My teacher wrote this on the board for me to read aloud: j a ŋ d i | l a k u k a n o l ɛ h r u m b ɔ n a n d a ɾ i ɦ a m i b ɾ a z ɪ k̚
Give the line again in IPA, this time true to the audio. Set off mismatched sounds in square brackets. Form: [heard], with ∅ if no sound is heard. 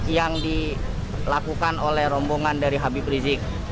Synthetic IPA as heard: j a ŋ d i | l a k u k a n o l ɛ h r [ɔ] m b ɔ [ŋ] a n d a ɾ i ɦ a [b] i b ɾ [i] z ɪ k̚

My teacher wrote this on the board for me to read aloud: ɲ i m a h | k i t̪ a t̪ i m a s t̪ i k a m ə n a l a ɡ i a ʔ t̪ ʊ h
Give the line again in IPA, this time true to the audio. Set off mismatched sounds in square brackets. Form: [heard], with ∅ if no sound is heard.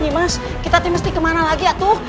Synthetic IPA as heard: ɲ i m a [s] | k i t̪ a t̪ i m [ə] s t̪ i k [ə] m [a] n a l a ɡ i a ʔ t̪ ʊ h

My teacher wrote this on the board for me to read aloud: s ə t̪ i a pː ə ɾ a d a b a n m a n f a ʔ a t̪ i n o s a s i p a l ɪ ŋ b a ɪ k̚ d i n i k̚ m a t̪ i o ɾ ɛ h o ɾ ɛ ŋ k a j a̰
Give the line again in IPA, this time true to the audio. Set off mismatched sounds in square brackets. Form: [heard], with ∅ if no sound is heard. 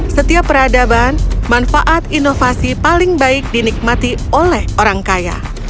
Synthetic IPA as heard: s ə t̪ i a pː ə ɾ a d a b a n m a n f a ʔ a t̪ i n o [f] a s i p a l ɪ ŋ b a ɪ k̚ d i n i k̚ m a t̪ i o [l] ɛ h o ɾ [a] ŋ k a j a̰

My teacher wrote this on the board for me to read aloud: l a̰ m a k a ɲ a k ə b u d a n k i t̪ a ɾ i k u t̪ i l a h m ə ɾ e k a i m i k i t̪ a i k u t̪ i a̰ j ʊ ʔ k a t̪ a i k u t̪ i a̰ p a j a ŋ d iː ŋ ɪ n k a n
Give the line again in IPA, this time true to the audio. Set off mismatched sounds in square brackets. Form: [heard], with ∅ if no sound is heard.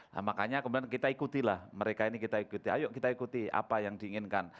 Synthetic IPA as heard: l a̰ m a k a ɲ a k ə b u d a n k i t̪ a [∅] i k u t̪ i l a h m ə ɾ e k a i [n] i k i t̪ a i k u t̪ i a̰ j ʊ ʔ k [i] t̪ a i k u t̪ i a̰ p a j a ŋ d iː ŋ ɪ n k a n

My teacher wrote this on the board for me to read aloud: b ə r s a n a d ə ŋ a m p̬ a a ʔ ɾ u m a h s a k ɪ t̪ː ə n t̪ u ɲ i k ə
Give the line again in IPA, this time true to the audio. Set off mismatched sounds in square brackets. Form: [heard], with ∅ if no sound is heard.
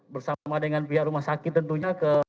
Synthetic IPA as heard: b ə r s a [m] a d ə ŋ a [n] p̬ [i] a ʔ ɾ u m a h s a k ɪ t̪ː ə n t̪ u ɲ [a] k ə

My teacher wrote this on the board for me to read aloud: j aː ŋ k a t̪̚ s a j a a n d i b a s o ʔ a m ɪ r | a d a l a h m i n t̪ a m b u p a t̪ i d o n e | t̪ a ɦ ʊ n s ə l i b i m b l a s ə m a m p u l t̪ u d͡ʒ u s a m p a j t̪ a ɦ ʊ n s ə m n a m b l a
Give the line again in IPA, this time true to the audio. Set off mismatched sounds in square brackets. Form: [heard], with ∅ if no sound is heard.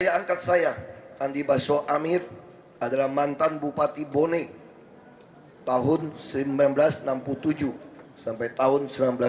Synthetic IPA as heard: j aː ŋ k a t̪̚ s a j a a n d i b a s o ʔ a m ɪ r | a d a l a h m [a] n t̪ a [n] b u p a t̪ i [b] o n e | t̪ a ɦ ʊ n s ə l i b [a] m b l a s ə [n] a m p u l t̪ u d͡ʒ u s a m p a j t̪ a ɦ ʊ n s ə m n a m b l a

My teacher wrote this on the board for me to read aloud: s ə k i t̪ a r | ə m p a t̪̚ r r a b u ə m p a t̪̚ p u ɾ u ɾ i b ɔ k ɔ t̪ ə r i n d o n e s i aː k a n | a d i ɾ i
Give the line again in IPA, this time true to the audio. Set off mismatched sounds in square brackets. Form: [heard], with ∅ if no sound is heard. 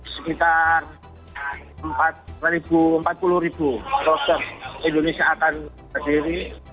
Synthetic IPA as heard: s ə k i t̪ a r | ə m p a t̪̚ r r [i] b u ə m p a t̪̚ p u [l] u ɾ i b [u] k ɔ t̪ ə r i n d o n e s i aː k a n | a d i ɾ i

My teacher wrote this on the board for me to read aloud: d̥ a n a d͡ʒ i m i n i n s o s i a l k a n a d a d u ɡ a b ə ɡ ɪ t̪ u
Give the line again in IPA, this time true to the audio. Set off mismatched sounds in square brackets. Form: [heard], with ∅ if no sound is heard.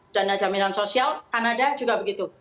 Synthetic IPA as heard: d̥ a n a d͡ʒ [a] m i n [a] n s o s i a l k a n a d a [d͡ʒ] u ɡ a b ə ɡ [i] t̪ u

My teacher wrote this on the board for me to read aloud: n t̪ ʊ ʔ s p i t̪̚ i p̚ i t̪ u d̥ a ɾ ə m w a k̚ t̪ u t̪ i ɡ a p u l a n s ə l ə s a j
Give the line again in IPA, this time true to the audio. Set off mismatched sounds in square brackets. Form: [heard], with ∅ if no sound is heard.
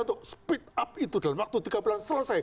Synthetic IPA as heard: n t̪ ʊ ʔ s p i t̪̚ [a] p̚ i t̪ u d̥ a [l] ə m w a k̚ t̪ u t̪ i ɡ a [b] u l a n s ə l ə s a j

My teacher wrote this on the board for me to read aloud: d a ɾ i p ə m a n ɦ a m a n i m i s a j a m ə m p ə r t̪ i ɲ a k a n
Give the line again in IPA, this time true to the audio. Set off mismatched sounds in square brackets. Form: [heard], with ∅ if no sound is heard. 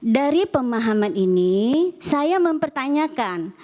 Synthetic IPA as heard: d a ɾ i p ə m a [∅] ɦ a m a n i [n] i s a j a m ə m p ə r t̪ [a] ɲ a k a n

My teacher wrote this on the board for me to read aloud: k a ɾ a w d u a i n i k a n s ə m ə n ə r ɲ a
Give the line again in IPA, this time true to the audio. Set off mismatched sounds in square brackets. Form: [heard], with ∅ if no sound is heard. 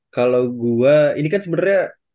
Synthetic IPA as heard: k a [l] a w [ɡ] u a i n i k a n s ə [b] ə n [a] r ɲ a

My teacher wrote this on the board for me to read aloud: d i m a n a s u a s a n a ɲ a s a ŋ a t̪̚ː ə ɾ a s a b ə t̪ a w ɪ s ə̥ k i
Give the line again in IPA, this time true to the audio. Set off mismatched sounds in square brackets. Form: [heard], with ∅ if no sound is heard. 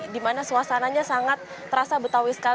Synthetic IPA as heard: d i m a n a s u a s a n a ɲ a s a ŋ a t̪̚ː ə ɾ a s a b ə t̪ a w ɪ s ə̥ k [a]

